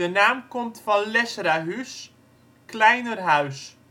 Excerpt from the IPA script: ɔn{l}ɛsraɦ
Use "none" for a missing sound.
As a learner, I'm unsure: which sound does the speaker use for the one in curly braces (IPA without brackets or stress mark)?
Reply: l